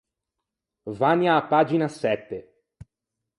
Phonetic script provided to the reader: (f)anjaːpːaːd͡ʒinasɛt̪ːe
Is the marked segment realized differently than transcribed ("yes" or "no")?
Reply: yes